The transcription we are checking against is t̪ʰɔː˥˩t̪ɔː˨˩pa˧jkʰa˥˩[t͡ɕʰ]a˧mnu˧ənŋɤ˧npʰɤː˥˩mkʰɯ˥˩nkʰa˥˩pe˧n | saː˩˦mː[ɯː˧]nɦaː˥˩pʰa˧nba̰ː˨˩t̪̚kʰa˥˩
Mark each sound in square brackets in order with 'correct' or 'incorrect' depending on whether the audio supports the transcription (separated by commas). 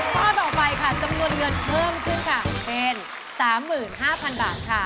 incorrect, incorrect